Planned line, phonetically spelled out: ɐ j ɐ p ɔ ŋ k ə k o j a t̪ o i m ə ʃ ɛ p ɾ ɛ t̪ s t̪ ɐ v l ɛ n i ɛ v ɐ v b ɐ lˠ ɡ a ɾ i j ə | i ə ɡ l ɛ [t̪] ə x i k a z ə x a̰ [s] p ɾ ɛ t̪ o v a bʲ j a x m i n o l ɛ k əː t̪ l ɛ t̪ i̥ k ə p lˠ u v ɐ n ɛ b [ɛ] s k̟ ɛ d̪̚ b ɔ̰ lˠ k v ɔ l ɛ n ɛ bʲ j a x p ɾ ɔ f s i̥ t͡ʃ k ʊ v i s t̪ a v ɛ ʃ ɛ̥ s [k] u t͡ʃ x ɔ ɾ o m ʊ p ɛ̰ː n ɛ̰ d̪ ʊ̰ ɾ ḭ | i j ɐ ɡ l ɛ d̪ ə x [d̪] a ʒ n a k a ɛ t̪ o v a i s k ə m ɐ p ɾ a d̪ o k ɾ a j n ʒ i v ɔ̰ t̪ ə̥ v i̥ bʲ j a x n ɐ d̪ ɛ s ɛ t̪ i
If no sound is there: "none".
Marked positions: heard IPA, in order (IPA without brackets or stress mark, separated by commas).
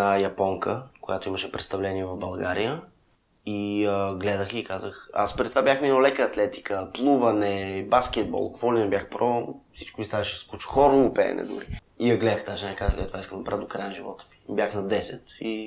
d̪, s, a, k, t̪